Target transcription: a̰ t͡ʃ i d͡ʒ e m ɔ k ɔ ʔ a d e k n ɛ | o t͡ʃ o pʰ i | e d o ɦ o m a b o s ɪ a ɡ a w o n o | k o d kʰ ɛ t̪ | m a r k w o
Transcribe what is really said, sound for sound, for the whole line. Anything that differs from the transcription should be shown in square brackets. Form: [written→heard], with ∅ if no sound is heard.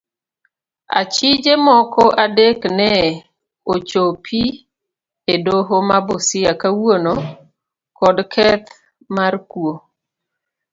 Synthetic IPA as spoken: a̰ t͡ʃ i d͡ʒ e m ɔ k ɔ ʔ a d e k n ɛ | o t͡ʃ o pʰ i | e d o ɦ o m a b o s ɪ a [ɡ→k] a w o n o | k [o→ɔ] d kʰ ɛ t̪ | m a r k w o